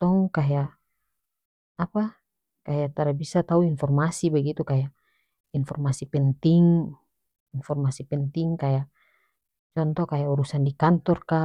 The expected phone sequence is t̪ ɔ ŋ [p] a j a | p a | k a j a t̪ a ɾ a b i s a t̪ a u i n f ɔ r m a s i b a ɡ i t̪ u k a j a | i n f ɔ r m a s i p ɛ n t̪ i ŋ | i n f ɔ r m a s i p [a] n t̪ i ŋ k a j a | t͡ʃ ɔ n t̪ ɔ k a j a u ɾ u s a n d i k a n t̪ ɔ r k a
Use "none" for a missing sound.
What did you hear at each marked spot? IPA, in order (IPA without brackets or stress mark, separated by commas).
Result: k, ɛ